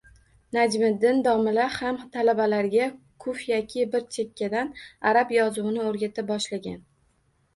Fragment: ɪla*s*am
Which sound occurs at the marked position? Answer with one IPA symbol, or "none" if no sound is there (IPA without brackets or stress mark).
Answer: h